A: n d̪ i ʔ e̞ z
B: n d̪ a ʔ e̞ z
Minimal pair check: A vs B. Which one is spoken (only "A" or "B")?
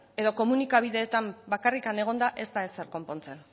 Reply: B